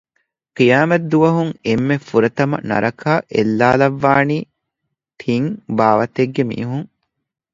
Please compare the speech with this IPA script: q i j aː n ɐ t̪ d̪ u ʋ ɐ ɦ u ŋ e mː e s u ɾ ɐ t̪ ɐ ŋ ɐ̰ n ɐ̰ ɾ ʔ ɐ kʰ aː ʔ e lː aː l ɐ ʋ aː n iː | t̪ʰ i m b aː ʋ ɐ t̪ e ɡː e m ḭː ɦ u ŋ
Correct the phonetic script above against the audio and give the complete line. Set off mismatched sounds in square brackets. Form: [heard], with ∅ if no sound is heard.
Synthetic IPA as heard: q i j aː [m] ɐ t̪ d̪ u ʋ ɐ ɦ u ŋ e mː e [f] u ɾ ɐ t̪ ɐ [m] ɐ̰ n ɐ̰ ɾ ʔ ɐ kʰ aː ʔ e lː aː l ɐ [ʋː] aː n iː | t̪ʰ i [ŋ] b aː ʋ ɐ t̪ e ɡː e m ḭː ɦ u ŋ